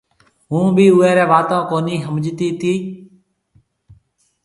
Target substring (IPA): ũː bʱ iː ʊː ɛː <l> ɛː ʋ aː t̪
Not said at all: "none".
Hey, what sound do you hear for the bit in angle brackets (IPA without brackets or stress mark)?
ɾ